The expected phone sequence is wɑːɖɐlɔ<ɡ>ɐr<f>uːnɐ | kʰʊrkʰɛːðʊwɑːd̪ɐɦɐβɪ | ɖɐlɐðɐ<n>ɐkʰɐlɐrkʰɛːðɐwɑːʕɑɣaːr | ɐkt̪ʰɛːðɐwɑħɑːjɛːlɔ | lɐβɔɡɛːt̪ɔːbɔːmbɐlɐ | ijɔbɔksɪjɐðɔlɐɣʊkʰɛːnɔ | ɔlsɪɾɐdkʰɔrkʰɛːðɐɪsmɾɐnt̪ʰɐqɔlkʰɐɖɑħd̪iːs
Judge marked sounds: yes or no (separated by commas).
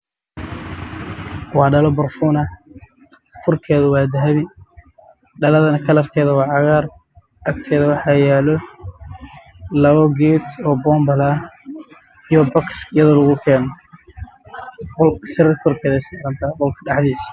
no, yes, yes